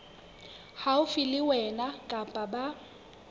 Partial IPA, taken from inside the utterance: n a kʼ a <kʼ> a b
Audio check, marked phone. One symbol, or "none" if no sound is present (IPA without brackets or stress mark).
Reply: pʼ